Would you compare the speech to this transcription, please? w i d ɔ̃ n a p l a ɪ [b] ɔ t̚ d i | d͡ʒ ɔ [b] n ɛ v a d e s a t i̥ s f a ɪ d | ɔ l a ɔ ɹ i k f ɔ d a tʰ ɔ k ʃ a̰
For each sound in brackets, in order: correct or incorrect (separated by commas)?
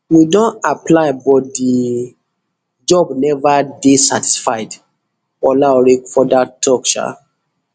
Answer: correct, correct